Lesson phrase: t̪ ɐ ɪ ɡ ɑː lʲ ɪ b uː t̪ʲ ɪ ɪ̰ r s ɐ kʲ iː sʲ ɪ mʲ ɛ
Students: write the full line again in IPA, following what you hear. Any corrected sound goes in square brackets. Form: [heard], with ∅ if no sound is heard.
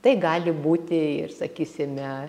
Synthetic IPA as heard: t̪ ɐ ɪ ɡ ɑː lʲ ɪ b uː t̪ʲ ɪ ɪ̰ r s ɐ kʲ iː sʲ ɪ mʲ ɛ